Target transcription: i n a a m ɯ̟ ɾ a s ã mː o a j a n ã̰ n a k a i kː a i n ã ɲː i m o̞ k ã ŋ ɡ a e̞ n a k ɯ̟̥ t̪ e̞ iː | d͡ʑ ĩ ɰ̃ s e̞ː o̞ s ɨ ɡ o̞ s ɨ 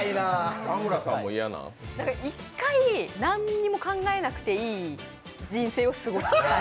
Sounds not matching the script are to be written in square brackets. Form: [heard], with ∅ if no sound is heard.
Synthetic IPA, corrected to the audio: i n a a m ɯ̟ ɾ a s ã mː o [i] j a n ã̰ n a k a i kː a i n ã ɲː i m o̞ k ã ŋ ɡ a e̞ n a k ɯ̟̥ t̪ e̞ iː | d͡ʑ ĩ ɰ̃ s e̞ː o̞ s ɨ ɡ o̞ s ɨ